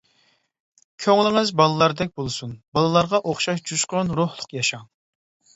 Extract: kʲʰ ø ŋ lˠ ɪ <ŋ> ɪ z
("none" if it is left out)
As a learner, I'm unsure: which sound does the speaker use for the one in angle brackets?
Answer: ŋ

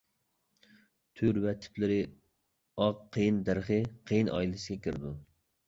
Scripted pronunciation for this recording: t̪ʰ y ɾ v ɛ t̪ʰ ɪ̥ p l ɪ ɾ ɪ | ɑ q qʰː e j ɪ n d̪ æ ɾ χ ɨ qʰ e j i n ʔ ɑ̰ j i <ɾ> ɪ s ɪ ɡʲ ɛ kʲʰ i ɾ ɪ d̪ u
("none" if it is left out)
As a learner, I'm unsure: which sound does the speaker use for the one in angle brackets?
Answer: l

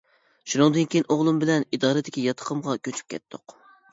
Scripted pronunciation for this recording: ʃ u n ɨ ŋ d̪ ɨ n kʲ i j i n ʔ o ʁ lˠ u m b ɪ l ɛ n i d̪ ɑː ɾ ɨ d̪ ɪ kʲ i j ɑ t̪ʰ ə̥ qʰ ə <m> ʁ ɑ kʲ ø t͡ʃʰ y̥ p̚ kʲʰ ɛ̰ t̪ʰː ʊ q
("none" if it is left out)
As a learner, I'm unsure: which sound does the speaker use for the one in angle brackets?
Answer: m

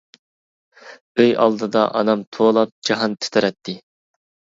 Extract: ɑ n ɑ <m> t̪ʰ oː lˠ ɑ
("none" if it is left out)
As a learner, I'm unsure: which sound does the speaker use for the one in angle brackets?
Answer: m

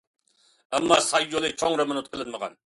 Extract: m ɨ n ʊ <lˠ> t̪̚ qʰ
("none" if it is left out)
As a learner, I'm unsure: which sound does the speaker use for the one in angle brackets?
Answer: none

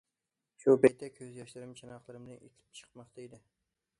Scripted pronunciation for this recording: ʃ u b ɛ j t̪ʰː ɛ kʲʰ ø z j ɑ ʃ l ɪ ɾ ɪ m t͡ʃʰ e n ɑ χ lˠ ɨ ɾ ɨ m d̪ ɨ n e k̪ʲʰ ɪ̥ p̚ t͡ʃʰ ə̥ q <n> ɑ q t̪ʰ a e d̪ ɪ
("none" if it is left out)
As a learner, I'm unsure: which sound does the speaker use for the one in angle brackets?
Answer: m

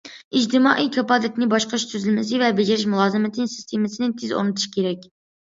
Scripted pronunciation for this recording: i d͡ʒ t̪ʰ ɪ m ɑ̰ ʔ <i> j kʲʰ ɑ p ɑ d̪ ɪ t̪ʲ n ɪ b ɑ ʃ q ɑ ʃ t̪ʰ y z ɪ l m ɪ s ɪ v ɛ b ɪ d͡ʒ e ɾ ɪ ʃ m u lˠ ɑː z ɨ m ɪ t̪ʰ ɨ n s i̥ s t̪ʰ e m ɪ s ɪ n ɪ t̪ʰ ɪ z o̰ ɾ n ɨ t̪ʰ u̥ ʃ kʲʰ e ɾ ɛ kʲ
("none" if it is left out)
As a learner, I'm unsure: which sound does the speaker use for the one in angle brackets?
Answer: i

